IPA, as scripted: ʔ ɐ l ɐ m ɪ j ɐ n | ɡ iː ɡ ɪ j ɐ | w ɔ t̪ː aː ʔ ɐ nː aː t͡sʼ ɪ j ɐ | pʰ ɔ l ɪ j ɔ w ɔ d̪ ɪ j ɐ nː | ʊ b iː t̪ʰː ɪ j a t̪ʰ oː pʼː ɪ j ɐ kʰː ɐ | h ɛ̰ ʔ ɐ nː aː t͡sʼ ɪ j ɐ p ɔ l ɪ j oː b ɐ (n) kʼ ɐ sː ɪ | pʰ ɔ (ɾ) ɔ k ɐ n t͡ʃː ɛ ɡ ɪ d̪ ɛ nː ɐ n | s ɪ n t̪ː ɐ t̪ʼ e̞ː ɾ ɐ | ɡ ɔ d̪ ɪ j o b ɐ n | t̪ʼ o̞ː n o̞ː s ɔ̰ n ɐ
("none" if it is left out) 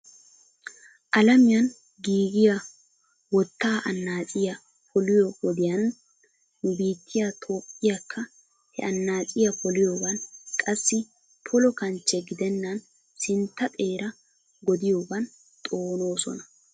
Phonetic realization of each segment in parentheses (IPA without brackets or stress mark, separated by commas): n, l